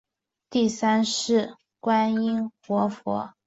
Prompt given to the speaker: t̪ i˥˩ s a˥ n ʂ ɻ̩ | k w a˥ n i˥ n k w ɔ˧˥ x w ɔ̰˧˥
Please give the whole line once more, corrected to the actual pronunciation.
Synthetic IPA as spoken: t̪ i˥˩ s a˥ n ʂ ɻ̩ | k w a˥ n i˥ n x w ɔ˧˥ f w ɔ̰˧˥

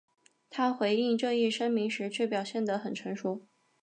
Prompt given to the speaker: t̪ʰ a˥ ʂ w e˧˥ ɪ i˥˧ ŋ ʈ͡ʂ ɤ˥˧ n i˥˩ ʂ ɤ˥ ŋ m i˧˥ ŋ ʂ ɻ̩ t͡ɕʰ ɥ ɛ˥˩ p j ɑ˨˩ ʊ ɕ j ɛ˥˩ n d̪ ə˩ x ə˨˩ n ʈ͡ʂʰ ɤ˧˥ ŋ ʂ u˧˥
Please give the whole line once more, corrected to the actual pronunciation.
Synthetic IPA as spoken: t̪ʰ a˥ x w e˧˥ ɪ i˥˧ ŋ ʈ͡ʂ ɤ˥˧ ŋ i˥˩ ʂ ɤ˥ ŋ m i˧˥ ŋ ʂ ɻ̩ t͡ɕʰ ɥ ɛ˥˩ p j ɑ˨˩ ʊ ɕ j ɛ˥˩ n d̪ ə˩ x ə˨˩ n ʈ͡ʂʰ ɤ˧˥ ŋ ʂ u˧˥

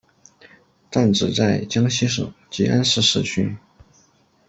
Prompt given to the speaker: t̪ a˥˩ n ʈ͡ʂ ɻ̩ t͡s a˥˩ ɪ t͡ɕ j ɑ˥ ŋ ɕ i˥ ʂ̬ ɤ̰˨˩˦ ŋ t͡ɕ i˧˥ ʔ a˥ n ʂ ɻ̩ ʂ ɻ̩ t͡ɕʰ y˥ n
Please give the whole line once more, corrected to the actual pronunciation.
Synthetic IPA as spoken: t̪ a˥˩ n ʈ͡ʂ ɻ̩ t͡s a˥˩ ɪ t͡ɕ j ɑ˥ ŋ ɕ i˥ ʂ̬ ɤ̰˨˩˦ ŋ t͡ɕ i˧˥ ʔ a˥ n ʂ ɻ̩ ʂ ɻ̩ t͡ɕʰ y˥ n

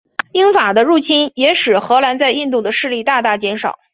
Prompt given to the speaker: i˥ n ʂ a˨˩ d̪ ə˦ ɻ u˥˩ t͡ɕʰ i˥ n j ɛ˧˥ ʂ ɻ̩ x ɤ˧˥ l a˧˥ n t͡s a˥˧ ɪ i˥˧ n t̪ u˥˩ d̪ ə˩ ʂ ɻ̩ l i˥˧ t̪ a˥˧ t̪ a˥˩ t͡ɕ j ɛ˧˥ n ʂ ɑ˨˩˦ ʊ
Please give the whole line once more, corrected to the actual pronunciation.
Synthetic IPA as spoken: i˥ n f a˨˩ d̪ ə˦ ɻ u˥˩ t͡ɕʰ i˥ n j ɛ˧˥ ʂ ɻ̩ x ɤ˧˥ l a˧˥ n t͡s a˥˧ ɪ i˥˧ n t̪ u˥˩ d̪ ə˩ ʂ ɻ̩ l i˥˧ t̪ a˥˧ t̪ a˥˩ t͡ɕ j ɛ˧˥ n ʂ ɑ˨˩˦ ʊ

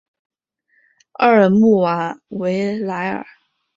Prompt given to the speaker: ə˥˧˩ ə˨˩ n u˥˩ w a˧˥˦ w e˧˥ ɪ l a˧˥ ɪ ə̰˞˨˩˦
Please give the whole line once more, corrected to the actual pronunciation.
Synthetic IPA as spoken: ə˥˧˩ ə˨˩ m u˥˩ w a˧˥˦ w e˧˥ ɪ l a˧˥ ɪ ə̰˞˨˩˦

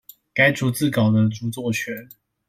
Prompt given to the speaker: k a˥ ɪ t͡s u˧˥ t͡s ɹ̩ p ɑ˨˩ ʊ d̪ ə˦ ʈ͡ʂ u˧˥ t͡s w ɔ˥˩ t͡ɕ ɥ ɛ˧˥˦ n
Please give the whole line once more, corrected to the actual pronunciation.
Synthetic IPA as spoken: k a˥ ɪ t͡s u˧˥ t͡s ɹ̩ k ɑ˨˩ ʊ d̪ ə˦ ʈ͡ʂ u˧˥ t͡s w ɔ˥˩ t͡ɕʰ ɥ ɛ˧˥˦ n

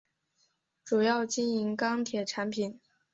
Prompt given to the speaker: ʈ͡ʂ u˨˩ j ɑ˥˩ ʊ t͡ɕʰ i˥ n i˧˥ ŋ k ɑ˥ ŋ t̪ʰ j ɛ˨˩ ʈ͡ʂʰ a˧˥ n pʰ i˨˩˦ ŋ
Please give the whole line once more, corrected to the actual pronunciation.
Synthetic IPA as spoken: ʈ͡ʂ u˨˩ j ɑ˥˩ ʊ t͡ɕ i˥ n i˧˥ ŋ k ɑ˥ ŋ t̪ʰ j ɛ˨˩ ʈ͡ʂʰ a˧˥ n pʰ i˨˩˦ n

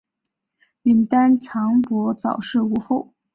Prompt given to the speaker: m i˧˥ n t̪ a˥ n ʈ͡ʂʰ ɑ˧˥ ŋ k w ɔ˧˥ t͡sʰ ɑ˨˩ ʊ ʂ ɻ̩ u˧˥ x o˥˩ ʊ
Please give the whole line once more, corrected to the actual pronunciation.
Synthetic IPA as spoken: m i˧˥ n t̪ a˥ n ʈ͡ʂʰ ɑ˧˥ ŋ p w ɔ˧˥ t͡s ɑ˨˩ ʊ ʂ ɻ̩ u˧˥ x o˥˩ ʊ

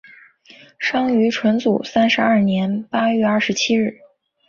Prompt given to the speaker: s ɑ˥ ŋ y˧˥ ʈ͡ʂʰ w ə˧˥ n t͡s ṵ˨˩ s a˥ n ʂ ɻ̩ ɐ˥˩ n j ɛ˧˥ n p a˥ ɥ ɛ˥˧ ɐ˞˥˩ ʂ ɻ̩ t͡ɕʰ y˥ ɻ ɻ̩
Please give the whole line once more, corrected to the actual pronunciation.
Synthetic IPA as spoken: ʂ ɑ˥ ŋ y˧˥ ʈ͡ʂʰ w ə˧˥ n t͡s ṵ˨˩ s a˥ n ʂ ɻ̩ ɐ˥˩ n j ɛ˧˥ n p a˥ ɥ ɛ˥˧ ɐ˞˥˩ ʂ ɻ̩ t͡ɕʰ i˥ ɻ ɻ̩

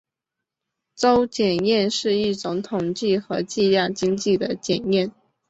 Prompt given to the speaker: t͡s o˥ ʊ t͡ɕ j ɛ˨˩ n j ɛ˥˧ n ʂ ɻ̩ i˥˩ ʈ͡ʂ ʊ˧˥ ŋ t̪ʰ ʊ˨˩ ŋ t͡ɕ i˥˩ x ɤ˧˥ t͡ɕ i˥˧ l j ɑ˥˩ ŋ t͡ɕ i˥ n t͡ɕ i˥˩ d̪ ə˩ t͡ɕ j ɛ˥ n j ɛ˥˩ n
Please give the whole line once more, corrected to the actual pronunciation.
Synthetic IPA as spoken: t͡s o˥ ʊ t͡ɕ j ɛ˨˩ n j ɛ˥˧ n ʂ ɻ̩ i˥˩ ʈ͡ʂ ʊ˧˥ ŋ t̪ʰ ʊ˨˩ ŋ t͡ɕ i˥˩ x ɤ˧˥ t͡ɕ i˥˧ l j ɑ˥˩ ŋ t͡ɕ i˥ ŋ t͡ɕ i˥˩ d̪ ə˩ t͡ɕ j ɛ˨˩ n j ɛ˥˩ n

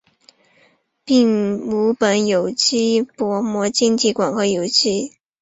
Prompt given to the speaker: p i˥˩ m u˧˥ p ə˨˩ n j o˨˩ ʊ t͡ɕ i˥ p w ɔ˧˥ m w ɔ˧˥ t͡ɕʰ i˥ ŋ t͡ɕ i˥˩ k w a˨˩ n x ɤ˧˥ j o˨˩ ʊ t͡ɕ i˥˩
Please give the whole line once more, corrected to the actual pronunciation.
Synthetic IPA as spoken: p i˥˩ ŋ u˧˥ p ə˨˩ n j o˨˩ ʊ t͡ɕ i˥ p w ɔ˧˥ m w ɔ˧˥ t͡ɕ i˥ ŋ t͡ɕ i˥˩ k w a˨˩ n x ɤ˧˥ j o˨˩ ʊ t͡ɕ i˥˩

